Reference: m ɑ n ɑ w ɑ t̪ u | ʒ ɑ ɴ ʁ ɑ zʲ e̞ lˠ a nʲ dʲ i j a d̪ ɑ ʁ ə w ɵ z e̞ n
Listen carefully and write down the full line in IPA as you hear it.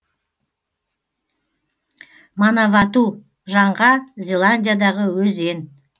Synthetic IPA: m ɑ n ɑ v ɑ t̪ u | ʒ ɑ ɴ ʁ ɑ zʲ e̞ lˠ a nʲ dʲ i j a d̪ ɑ ʁ ə w ɵ z e̞ n